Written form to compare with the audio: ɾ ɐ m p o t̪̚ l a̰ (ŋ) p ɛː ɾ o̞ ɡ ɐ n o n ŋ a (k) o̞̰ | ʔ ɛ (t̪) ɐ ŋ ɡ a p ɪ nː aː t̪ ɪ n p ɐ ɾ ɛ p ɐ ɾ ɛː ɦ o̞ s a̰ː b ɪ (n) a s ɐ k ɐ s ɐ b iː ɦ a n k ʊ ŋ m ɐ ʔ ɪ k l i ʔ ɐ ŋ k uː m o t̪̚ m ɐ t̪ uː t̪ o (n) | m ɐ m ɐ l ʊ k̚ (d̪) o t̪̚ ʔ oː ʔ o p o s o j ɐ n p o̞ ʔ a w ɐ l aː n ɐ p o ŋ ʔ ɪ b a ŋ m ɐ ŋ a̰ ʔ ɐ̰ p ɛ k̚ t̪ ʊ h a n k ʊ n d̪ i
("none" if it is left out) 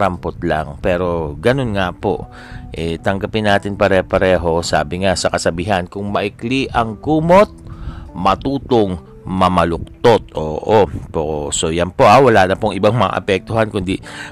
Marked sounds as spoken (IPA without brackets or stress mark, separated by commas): ŋ, p, t̪, ŋ, ŋ, t̪